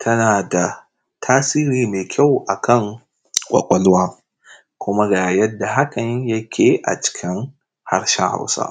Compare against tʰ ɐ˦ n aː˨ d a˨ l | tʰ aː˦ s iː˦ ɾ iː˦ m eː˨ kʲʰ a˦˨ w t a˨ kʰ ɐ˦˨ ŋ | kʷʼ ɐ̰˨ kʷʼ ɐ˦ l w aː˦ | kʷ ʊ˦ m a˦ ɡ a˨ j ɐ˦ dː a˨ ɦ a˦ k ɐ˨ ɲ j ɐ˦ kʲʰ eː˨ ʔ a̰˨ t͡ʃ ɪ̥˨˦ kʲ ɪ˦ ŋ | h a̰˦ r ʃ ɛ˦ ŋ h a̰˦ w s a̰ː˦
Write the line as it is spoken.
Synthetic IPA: tʰ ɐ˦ n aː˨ d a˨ | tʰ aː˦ s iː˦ ɾ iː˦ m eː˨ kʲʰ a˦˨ w ʔ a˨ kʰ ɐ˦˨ ŋ | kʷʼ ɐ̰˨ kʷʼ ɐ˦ l w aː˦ | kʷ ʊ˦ m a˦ ɡ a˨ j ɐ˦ dː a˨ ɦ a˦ k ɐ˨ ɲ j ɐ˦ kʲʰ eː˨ ʔ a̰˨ t͡ʃ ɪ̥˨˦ kʲ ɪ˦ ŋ | h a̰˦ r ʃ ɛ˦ ŋ h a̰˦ w s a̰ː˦

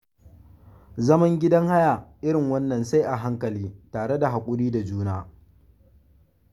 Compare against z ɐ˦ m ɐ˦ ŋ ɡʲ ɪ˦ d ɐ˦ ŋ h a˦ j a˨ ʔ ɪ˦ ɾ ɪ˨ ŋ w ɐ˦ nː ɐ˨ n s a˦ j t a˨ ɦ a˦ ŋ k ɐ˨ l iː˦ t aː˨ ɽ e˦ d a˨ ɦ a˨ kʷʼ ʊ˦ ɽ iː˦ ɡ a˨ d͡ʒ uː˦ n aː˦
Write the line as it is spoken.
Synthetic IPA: z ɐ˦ m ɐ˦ ŋ ɡʲ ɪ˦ d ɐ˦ ŋ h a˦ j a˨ ʔ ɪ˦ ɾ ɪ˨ ŋ w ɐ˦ nː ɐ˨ n s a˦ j ʔ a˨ ɦ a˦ ŋ k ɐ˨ l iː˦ t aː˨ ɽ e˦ d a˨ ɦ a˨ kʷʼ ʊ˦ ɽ iː˦ d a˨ d͡ʒ uː˦ n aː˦

